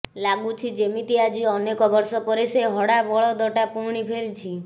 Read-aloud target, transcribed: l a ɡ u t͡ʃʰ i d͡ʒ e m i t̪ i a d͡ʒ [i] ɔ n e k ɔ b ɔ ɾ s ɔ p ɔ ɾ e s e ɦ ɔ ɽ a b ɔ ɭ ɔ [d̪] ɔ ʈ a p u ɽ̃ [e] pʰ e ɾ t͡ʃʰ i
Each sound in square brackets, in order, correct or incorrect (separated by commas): correct, correct, incorrect